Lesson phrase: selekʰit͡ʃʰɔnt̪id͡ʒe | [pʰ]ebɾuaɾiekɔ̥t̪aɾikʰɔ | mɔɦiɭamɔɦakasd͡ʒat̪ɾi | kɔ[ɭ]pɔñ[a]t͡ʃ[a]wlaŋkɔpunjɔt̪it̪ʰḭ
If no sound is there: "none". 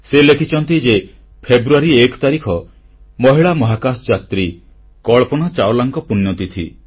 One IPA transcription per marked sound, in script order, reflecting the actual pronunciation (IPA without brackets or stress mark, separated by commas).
pʰ, ɭ, a, a